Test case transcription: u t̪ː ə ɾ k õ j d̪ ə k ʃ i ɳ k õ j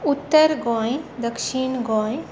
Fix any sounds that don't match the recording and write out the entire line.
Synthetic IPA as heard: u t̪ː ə ɾ ɡ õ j d̪ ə k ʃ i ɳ ɡ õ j